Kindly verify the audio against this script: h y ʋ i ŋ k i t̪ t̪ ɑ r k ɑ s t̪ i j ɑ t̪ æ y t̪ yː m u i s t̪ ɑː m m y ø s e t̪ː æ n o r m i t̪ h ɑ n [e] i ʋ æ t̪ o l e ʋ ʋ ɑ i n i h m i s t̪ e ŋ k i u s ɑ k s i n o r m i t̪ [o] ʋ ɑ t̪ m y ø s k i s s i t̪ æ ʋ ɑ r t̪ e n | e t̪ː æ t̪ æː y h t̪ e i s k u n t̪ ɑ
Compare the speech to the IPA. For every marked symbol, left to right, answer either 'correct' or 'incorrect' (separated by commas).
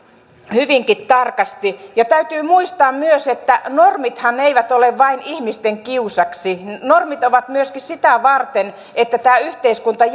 correct, correct